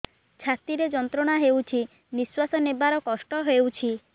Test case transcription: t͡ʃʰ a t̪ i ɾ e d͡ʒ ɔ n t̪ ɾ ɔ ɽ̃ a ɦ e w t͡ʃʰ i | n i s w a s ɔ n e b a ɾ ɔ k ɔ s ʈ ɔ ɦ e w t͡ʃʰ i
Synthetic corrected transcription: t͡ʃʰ a t̪ i ɾ e d͡ʒ ɔ n t̪ ɾ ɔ ɽ̃ a ɦ e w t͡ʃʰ i | n i s w a s ɔ n e b a ɾ ɔ k ɔ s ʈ ɔ ɦ e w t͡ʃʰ i